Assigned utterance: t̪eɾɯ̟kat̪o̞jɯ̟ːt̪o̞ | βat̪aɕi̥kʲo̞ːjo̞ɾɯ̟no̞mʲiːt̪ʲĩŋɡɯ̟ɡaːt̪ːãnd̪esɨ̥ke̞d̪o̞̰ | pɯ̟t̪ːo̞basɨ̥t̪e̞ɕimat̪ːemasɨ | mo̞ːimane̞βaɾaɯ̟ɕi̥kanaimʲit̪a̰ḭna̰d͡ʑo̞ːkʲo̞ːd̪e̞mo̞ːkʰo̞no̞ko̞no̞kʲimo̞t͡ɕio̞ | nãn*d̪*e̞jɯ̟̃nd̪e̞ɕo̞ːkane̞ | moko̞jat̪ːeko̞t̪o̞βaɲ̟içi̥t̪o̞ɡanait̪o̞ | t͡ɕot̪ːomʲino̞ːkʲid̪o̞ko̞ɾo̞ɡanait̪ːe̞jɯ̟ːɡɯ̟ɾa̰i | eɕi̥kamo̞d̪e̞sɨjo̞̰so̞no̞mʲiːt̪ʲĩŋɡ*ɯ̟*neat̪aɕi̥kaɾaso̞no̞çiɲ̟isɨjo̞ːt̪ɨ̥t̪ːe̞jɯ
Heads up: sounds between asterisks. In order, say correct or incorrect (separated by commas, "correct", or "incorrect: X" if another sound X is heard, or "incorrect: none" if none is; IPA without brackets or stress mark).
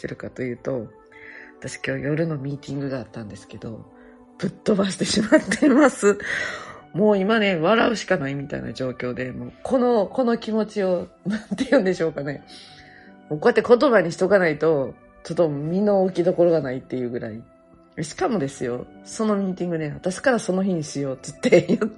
incorrect: t̪, correct